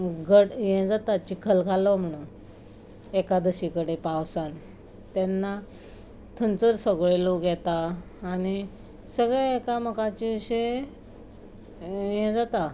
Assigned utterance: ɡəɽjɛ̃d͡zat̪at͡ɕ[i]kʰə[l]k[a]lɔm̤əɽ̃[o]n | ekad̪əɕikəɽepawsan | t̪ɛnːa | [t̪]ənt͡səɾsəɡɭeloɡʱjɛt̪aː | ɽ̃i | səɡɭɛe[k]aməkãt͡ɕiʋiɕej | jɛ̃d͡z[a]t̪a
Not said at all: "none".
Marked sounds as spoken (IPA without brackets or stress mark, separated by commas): i, l, a, u, t̪ʰ, k, a